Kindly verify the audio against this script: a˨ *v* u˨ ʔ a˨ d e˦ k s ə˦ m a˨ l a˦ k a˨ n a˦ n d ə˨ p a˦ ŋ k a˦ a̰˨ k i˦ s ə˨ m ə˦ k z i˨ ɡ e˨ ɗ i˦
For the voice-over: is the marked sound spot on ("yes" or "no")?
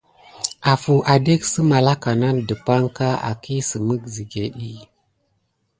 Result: no